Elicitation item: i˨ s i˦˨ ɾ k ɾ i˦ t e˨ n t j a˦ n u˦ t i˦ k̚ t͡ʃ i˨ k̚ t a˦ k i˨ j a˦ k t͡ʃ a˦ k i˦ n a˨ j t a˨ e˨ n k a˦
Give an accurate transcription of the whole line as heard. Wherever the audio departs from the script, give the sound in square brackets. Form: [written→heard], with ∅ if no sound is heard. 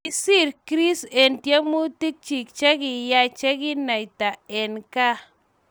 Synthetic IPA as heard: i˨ s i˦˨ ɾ k ɾ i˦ [t→s] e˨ n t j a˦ [n→m] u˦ t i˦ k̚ t͡ʃ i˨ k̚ [t→t͡ʃ] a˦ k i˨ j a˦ [k→∅] t͡ʃ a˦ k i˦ n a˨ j t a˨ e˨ n k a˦